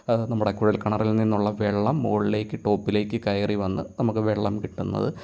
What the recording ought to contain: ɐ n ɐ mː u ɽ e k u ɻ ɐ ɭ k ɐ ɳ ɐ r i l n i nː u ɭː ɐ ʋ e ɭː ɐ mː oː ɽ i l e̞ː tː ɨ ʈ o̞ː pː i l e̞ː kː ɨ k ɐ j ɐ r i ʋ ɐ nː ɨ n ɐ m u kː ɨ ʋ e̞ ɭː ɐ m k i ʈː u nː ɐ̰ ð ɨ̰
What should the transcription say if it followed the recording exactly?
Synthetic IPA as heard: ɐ n ɐ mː u ɽ e k u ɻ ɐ l k ɐ ɳ ɐ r i l n i nː u ɭː ɐ ʋ e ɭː ɐ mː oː ɭ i l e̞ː kː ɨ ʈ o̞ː pː i l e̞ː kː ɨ k ɐ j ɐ r i ʋ ɐ nː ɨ n ɐ m u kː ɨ ʋ e̞ ɭː ɐ m k i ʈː u nː ɐ̰ ð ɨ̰